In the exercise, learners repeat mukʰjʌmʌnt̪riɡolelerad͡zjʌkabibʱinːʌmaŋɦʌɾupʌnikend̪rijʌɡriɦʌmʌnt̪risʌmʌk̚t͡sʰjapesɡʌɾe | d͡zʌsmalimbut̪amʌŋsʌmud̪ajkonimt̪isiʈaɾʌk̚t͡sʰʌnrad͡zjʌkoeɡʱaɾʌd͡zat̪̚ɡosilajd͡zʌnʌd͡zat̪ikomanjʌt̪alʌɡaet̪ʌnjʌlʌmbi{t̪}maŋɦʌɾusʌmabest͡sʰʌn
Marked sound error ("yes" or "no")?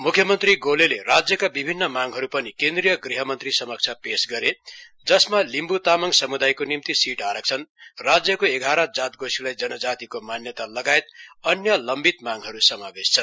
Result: no